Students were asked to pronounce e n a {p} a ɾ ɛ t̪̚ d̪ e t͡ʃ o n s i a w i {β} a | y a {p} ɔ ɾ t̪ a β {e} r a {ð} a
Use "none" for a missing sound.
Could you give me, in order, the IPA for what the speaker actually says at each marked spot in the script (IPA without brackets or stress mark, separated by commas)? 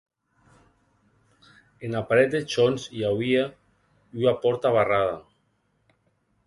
p, none, p, a, ð